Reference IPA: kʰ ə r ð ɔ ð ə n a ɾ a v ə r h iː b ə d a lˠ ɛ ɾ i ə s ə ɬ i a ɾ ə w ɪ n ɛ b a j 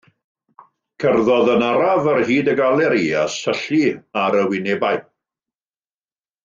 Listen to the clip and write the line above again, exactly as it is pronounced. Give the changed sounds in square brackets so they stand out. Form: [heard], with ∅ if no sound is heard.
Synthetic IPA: kʰ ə r ð ɔ ð ə n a ɾ a v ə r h iː [d] ə [ɡ] a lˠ ɛ ɾ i [a] s ə ɬ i a ɾ ə w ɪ n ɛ b a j